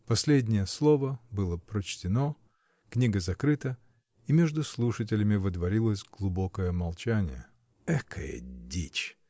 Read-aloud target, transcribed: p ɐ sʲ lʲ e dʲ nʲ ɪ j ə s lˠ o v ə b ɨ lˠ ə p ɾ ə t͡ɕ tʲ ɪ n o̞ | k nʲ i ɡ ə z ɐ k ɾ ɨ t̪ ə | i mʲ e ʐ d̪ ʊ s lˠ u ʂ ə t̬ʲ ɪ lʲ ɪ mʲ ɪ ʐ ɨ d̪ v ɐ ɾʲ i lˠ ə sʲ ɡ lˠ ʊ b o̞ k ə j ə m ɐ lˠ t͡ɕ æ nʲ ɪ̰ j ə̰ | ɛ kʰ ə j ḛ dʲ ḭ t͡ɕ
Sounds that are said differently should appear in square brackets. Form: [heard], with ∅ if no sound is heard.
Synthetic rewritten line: p ɐ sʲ lʲ e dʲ nʲ ɪ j ə s lˠ o v ə b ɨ lˠ ə p ɾ ə t͡ɕ tʲ ɪ n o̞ | k nʲ i ɡ ə z ɐ k ɾ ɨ t̪ ə | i mʲ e ʐ d̪ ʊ s lˠ u ʂ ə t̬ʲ ɪ lʲ ɪ mʲ ɪ [v] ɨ d̪ v ɐ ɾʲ i lˠ ə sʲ ɡ lˠ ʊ b o̞ k ə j ə m ɐ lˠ t͡ɕ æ nʲ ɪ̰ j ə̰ | ɛ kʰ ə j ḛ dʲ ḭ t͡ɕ